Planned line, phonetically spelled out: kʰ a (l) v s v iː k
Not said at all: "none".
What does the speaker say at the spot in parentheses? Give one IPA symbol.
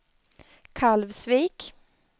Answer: l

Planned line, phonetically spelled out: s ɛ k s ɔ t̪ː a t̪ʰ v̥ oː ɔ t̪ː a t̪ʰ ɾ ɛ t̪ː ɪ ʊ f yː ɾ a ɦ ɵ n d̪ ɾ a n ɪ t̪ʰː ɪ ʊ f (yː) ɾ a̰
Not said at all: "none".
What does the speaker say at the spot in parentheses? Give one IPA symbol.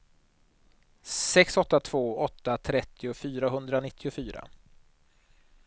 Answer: yː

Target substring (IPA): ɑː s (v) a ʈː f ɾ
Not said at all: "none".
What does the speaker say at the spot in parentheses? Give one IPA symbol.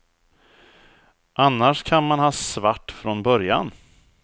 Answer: v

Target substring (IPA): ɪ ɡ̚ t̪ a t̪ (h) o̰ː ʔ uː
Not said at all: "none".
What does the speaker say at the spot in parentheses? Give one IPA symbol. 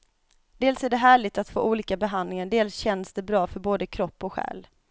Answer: f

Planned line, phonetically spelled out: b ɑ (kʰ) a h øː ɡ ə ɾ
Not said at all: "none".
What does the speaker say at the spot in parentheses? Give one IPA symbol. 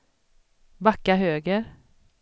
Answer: k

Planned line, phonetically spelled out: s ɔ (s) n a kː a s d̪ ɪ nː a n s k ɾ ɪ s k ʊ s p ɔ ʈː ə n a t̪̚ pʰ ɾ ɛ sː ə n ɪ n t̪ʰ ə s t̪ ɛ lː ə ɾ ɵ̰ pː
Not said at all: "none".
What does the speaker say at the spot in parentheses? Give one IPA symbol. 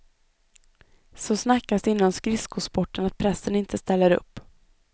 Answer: s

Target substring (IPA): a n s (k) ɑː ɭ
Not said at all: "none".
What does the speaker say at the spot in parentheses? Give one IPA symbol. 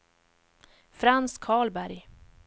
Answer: kʰ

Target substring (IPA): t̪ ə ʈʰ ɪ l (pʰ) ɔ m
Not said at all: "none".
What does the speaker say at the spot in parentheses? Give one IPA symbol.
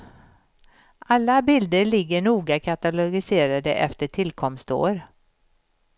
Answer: kʰ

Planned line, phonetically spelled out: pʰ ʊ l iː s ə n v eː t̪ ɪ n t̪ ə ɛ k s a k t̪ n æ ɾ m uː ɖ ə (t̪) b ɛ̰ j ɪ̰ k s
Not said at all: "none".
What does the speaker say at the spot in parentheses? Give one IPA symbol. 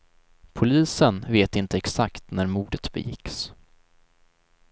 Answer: t̪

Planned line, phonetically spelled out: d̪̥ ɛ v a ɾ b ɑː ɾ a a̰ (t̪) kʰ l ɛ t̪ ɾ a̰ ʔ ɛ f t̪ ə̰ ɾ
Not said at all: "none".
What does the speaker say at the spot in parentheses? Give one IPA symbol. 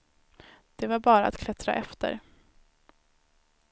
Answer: t̪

